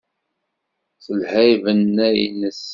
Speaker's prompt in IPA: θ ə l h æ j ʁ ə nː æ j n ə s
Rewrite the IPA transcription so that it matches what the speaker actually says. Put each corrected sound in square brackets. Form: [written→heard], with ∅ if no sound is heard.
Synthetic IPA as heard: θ ə l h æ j [ʁ→v] ə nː æ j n ə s